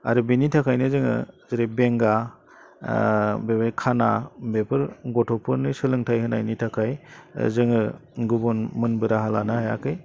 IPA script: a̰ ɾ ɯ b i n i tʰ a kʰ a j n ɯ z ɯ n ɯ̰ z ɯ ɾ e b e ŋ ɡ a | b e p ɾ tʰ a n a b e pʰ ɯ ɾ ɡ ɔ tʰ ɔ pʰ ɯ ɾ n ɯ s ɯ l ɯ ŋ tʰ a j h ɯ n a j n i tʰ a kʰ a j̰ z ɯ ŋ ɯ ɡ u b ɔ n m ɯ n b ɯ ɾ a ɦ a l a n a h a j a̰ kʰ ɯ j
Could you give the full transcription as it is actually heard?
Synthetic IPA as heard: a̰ ɾ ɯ b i n i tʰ a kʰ a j n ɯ z ɯ ŋ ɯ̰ z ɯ ɾ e b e ŋ ɡ a | b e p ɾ kʰ a n a b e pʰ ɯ ɾ ɡ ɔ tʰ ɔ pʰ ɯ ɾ n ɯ s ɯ l ɯ ŋ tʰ a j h ɯ n a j n i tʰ a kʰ a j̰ z ɯ ŋ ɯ ɡ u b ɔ n m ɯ n b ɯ ɾ a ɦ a l a n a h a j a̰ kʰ ɯ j